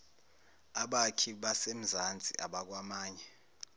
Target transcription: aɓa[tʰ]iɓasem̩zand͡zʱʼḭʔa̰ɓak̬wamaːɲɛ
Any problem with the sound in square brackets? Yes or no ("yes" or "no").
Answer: yes